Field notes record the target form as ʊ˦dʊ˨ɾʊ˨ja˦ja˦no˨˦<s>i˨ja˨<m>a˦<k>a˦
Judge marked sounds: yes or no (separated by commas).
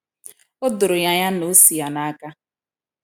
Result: yes, no, yes